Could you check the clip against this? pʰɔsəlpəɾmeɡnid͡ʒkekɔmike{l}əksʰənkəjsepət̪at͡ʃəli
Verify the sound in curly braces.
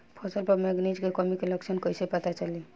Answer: correct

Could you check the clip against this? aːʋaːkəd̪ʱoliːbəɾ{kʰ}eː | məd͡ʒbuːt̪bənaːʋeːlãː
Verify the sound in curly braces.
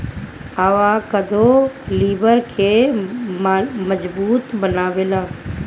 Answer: correct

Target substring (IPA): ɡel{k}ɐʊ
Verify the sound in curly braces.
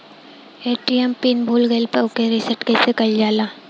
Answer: incorrect: p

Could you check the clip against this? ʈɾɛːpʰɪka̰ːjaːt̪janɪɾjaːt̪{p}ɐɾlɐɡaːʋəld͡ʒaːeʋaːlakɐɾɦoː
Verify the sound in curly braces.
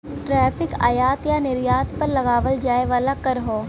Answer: correct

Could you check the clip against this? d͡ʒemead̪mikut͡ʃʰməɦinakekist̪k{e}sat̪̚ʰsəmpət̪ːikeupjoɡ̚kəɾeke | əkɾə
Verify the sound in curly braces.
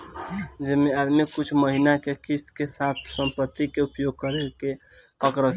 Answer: correct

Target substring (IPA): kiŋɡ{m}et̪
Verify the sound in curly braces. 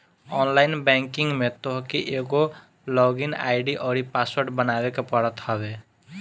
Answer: correct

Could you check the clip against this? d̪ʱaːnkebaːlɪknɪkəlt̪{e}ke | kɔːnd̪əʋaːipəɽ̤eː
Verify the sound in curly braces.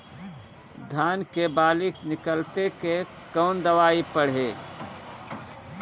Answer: correct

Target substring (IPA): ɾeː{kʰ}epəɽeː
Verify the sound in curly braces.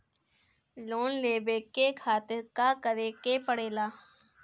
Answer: incorrect: k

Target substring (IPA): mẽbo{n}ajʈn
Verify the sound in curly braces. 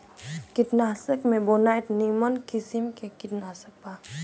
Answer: correct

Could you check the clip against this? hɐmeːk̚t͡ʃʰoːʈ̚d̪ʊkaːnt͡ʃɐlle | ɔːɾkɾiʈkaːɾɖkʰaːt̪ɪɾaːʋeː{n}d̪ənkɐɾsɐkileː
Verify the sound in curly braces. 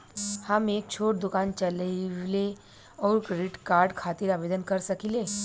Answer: incorrect: none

